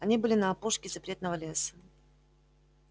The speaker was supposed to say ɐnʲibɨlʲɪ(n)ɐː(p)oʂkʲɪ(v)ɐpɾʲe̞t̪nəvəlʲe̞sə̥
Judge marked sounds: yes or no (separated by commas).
yes, yes, no